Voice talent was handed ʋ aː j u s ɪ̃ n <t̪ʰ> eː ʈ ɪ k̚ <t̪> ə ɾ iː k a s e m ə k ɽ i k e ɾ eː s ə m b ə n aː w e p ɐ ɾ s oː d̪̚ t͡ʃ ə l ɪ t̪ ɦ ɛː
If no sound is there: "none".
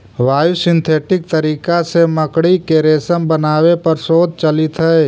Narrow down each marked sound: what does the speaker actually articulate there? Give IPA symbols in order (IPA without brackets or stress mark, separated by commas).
t̪ʰ, t̪